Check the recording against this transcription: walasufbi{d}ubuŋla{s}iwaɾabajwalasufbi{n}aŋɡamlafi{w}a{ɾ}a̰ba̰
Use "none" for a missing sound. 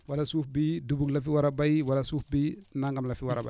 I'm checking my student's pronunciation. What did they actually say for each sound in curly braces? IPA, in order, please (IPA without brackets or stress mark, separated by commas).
d, f, n, w, ɾ